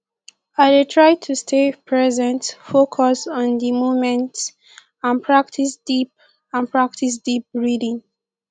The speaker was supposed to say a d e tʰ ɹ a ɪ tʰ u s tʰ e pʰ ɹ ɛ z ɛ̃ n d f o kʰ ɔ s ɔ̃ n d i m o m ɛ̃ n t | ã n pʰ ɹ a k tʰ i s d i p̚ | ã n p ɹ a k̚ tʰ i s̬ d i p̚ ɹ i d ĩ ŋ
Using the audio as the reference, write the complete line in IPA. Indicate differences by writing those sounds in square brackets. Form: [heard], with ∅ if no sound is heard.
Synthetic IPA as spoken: a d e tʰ ɹ a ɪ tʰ u s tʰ e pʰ ɹ ɛ z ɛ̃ n [t] f o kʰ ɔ s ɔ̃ n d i m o m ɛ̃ n t | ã n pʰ ɹ a k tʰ i s d i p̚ | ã n p ɹ a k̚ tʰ i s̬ d i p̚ ɹ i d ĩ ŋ